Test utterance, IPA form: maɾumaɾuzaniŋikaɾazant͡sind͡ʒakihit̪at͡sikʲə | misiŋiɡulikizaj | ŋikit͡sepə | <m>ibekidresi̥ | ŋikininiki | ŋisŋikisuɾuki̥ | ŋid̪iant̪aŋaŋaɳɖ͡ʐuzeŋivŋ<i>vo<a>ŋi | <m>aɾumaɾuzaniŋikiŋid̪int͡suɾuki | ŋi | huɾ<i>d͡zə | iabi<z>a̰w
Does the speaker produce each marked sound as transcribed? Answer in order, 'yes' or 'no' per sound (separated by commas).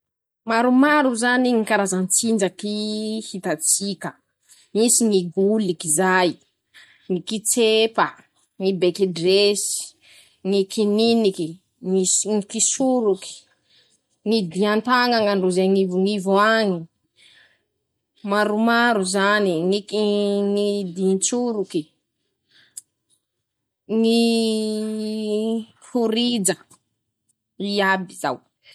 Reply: no, yes, yes, yes, yes, yes